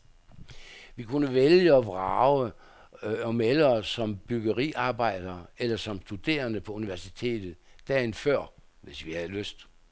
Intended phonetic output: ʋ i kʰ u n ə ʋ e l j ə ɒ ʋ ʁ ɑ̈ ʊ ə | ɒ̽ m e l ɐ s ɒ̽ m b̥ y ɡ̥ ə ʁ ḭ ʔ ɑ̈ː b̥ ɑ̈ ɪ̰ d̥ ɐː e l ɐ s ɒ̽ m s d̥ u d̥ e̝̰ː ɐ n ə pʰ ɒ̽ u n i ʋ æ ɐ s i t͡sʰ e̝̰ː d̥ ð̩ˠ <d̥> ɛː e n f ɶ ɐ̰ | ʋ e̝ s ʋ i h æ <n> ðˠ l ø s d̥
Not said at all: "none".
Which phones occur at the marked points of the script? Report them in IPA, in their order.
d̥, none

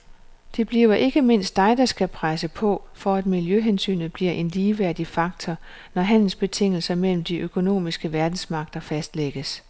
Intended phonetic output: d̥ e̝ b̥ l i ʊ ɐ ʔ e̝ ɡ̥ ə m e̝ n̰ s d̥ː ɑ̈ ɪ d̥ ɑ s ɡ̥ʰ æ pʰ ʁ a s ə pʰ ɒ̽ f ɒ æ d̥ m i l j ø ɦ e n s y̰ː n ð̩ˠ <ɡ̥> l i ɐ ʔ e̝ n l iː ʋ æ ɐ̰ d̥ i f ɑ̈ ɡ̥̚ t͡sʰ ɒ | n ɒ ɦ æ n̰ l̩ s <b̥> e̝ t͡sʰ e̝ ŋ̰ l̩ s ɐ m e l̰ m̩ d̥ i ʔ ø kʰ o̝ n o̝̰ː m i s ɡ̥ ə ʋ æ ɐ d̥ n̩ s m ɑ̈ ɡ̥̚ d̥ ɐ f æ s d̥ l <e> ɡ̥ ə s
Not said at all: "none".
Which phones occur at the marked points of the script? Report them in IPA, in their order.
b̥, b̥, e

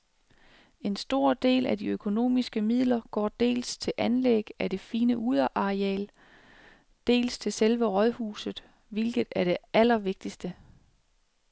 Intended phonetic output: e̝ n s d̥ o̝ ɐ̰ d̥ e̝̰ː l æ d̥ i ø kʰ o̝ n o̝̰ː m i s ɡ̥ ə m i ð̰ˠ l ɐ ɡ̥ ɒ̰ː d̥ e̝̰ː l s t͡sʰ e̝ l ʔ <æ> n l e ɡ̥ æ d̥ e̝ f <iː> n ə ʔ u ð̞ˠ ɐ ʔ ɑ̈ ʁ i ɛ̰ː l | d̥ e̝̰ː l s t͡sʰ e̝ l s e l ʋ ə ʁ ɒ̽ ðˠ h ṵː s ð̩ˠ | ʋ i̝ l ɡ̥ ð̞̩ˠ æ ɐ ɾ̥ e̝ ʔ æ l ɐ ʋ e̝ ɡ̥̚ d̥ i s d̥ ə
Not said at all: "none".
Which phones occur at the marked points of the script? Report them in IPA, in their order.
æ, iː

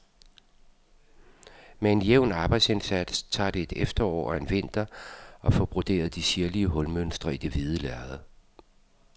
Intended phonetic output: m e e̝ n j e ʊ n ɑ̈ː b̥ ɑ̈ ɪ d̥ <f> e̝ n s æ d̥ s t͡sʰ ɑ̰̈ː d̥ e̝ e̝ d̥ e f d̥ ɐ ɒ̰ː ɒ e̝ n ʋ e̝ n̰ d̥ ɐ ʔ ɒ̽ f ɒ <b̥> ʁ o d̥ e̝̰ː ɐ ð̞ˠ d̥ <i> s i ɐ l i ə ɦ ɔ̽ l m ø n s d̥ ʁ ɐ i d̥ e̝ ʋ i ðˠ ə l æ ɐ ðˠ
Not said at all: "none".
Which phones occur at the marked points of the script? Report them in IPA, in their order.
s, b̥, i

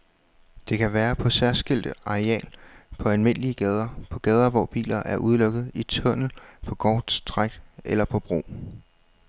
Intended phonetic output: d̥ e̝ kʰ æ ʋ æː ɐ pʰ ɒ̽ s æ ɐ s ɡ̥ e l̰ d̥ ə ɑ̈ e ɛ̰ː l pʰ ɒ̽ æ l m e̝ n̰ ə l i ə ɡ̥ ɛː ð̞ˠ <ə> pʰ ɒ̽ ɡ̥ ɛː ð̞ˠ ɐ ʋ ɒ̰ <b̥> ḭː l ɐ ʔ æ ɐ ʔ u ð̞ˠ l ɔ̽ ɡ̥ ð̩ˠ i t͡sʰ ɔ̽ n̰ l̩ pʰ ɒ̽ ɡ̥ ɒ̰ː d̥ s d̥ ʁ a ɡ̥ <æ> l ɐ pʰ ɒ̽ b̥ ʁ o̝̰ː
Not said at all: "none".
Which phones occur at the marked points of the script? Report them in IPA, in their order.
ɐ, b̥, e

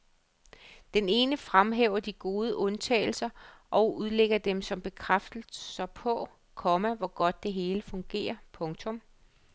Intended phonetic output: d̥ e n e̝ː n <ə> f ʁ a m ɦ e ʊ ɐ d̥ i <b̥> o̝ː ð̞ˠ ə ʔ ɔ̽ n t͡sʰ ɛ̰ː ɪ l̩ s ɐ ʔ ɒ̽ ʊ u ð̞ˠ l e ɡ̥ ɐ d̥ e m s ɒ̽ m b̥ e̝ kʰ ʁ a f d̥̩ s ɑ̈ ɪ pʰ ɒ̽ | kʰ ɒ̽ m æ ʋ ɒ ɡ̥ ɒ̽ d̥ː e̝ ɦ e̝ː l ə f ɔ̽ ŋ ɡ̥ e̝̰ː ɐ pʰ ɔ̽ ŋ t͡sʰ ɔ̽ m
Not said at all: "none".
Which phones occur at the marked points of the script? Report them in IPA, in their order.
ə, ɡ̥

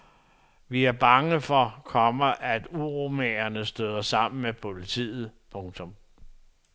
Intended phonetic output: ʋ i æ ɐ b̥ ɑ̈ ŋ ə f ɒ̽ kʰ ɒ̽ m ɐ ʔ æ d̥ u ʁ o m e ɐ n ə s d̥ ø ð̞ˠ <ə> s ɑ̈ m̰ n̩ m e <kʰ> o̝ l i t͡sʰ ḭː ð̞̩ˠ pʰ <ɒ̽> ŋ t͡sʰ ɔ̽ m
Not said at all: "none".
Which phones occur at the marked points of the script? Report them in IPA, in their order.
ɐ, pʰ, ɔ̽

